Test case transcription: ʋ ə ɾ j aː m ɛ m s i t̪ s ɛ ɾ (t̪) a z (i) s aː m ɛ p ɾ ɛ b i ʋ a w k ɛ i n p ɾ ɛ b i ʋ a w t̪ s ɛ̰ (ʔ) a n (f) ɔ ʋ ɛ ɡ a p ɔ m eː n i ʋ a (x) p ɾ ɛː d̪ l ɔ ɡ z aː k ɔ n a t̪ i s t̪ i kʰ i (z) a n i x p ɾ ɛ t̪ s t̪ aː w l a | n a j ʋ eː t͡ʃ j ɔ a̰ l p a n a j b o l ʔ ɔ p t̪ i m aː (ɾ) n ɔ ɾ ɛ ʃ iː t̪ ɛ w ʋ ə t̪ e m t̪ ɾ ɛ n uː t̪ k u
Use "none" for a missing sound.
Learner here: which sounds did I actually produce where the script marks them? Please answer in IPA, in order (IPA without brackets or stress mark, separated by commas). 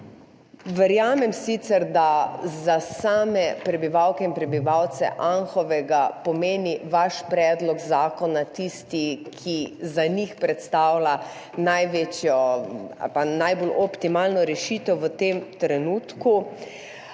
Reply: d̪, a, ʔ, x, ʃ, z, l